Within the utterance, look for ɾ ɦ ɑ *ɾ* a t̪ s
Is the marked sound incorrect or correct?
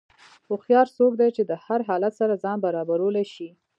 incorrect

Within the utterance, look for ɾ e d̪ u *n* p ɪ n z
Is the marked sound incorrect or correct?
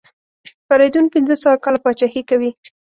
correct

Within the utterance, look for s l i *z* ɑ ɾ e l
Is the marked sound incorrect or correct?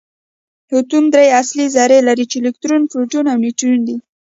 correct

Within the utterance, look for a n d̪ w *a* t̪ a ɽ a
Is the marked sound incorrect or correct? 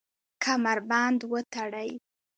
incorrect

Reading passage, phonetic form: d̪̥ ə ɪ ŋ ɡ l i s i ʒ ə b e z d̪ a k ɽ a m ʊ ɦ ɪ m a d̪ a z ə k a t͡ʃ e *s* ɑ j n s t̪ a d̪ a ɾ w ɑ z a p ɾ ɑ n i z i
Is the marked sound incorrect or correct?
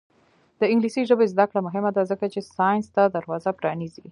correct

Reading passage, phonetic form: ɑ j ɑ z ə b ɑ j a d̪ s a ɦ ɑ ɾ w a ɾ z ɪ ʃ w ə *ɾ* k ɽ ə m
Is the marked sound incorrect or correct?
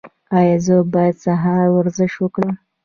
incorrect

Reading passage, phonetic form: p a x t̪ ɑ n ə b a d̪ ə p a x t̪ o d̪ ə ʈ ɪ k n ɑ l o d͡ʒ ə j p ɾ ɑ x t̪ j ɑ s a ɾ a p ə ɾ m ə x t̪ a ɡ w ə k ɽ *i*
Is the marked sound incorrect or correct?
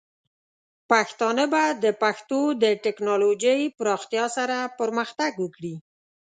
correct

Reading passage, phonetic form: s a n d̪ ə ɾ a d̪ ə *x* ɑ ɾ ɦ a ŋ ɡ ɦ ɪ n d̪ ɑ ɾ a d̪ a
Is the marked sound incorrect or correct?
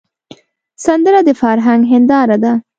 incorrect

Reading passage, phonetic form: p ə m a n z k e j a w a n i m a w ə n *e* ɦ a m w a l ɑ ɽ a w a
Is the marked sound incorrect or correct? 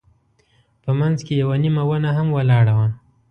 incorrect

